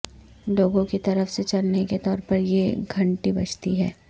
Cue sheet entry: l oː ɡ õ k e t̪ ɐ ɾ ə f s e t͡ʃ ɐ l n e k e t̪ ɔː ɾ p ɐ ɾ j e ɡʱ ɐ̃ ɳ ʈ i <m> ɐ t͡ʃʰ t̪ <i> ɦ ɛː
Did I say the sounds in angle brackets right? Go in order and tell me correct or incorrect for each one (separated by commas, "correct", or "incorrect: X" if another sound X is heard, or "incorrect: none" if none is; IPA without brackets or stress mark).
incorrect: b, correct